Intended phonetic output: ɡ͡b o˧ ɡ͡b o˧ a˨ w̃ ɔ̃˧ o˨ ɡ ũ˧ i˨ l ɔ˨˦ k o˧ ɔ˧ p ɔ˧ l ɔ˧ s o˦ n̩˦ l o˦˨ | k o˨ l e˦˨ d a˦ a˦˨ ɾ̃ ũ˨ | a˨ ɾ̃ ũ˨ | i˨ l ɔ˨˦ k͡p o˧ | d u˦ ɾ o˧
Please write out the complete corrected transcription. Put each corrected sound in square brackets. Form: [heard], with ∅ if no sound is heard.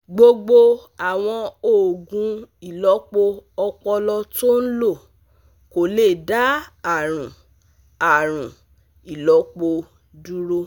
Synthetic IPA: ɡ͡b o˧ ɡ͡b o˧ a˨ w̃ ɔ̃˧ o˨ ɡ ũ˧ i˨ l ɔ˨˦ [k͡p] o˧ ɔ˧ [k͡p] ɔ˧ l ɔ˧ [t] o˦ n̩˦ l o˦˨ | k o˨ l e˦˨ d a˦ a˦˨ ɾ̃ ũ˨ | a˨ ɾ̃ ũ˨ | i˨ l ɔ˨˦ k͡p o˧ | d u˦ ɾ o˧